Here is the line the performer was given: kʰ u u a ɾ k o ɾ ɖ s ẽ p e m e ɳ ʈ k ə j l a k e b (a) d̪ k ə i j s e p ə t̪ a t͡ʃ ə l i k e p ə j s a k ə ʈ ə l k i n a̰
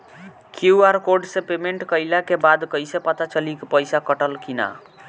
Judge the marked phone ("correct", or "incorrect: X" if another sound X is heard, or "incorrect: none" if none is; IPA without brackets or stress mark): correct